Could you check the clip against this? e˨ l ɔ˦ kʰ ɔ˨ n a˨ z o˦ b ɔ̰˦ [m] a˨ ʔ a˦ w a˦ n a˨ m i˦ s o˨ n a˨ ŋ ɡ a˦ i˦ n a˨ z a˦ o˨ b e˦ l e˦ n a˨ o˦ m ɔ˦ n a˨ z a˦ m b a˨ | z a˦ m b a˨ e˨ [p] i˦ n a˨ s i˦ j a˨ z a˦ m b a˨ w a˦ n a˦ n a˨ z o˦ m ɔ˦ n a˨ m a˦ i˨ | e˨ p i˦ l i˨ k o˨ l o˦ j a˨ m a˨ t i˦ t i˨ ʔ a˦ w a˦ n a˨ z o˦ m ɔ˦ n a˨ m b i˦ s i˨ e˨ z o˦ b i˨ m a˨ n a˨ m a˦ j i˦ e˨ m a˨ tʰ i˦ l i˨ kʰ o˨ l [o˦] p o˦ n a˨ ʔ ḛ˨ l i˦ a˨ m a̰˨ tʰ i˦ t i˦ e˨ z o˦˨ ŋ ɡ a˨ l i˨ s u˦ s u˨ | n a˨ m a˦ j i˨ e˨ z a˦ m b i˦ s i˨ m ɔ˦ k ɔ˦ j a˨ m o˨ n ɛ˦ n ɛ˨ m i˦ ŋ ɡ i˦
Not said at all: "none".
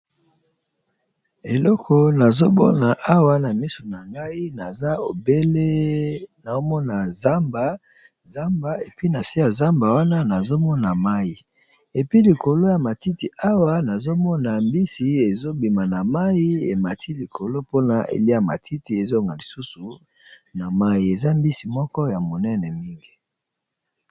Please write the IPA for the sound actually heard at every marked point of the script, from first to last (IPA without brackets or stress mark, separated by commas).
n, p, o˦